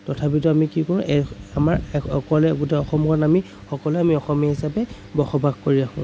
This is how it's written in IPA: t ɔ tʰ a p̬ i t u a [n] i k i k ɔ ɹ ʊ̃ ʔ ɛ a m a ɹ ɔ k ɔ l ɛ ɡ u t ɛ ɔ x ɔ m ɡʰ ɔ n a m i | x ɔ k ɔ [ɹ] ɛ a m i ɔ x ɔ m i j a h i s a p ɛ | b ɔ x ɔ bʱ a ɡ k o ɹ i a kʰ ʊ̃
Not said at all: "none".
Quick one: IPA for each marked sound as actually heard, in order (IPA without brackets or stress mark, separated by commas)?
m, l